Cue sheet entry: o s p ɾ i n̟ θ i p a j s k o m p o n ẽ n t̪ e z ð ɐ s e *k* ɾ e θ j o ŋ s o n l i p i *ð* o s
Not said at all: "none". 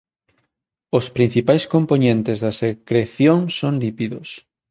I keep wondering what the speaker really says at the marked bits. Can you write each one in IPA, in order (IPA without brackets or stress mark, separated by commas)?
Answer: k, ð